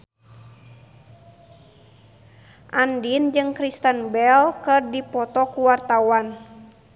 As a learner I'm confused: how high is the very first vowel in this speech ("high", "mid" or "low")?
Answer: low